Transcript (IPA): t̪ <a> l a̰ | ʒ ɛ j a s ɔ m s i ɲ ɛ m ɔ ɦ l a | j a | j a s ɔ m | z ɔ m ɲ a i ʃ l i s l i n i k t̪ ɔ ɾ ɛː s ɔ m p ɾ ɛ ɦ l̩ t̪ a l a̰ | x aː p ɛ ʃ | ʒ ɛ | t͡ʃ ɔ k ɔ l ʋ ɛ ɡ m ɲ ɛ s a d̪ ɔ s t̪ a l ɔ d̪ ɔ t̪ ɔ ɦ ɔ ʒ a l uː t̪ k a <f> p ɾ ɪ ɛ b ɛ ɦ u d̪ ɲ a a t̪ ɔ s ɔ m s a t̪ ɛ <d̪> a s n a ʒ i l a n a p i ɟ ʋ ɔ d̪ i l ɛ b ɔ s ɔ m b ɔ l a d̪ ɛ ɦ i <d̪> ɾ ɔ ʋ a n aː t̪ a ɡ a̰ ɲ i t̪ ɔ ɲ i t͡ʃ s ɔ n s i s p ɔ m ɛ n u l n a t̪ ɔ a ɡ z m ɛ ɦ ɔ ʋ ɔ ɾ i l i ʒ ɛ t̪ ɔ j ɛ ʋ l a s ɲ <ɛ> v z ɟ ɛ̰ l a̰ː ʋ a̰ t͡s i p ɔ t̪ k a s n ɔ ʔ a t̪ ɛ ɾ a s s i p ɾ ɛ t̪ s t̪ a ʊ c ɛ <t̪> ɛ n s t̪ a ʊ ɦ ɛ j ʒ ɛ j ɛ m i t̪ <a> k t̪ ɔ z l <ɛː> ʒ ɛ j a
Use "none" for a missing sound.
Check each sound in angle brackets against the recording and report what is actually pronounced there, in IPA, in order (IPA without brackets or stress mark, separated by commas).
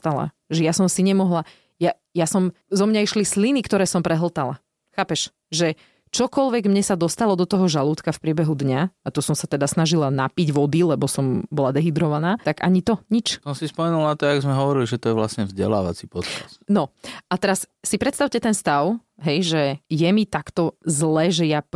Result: a, f, d̪, d̪, ɛ, t̪, a, ɛː